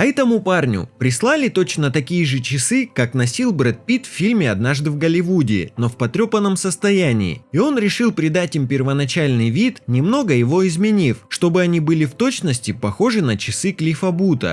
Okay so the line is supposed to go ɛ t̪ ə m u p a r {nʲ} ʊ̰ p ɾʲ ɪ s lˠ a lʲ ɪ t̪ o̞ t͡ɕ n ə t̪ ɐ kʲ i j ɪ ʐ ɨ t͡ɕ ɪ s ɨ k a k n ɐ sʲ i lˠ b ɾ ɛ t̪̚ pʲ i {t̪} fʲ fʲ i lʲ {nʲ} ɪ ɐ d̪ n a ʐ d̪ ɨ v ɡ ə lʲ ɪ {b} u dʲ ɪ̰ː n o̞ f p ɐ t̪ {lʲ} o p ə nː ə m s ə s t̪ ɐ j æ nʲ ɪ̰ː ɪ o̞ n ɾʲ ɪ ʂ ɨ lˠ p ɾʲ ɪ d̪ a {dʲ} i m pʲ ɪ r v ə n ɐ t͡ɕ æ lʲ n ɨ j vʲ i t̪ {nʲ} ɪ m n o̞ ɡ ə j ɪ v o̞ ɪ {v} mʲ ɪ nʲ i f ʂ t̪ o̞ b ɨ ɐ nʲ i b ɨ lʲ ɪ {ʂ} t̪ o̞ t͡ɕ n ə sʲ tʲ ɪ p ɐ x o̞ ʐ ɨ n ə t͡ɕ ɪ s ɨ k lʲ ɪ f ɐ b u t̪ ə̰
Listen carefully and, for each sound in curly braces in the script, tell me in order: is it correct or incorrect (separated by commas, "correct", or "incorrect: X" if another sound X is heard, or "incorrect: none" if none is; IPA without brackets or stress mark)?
correct, correct, incorrect: mʲ, incorrect: v, incorrect: ɾʲ, incorrect: tʲ, correct, incorrect: z, incorrect: f